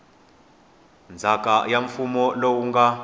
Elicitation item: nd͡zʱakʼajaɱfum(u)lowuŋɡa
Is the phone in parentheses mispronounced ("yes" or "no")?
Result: yes